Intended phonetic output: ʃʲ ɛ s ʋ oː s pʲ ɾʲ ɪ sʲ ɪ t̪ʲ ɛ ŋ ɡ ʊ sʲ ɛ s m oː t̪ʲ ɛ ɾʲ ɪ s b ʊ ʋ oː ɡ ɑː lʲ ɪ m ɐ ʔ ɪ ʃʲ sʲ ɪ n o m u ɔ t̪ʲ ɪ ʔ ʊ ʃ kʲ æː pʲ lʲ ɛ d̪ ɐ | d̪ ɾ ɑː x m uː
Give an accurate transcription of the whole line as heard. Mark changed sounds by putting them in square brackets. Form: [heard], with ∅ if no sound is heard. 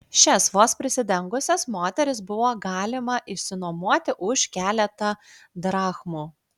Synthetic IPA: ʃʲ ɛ s ʋ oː s pʲ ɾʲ ɪ sʲ ɪ [d̪ʲ] ɛ ŋ ɡ ʊ sʲ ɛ s m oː t̪ʲ ɛ ɾʲ ɪ s b ʊ ʋ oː ɡ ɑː lʲ ɪ m ɐ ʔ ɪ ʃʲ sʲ ɪ n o m u ɔ t̪ʲ ɪ ʔ ʊ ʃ kʲ æː [∅] lʲ ɛ [t̪] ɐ | d̪ ɾ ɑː x m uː